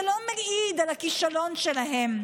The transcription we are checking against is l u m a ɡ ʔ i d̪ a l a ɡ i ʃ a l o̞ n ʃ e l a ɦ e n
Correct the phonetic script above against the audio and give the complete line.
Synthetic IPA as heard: l o m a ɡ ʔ i d̪ a l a k i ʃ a l o̞ n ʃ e l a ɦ e m